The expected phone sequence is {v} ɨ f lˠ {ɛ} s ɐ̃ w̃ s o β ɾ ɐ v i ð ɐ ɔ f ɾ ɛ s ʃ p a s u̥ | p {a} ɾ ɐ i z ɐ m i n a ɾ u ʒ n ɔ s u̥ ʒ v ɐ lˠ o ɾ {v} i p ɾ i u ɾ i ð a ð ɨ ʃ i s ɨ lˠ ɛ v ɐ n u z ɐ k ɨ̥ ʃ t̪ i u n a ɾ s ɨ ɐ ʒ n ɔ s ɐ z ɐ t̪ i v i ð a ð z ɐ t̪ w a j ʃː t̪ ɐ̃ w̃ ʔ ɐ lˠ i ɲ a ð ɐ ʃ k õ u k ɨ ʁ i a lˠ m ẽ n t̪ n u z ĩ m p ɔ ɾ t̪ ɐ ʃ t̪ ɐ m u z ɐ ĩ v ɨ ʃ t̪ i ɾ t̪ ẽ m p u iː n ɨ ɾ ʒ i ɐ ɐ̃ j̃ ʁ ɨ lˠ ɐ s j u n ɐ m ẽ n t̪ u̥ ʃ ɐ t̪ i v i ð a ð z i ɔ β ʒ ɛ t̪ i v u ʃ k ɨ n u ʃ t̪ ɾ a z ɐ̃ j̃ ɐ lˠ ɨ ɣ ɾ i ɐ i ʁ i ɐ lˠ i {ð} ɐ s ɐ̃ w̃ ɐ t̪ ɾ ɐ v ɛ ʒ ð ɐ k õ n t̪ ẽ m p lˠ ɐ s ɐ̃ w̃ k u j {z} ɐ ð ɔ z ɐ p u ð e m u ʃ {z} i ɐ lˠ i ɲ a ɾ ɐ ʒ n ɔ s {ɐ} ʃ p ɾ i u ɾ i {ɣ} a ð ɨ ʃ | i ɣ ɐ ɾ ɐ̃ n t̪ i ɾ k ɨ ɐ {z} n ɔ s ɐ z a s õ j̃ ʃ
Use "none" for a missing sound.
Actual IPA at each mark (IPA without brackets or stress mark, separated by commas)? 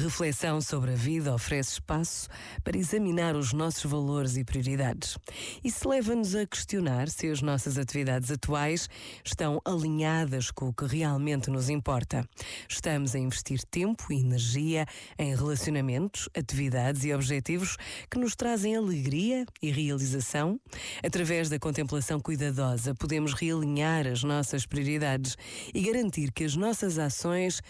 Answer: ʁ, ɛ, ɐ, z, z, ð, ʁ, ɐ, ð, ʒ